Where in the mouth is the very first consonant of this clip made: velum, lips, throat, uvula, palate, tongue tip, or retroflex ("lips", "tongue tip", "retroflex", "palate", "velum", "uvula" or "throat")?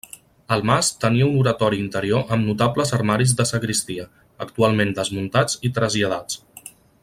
tongue tip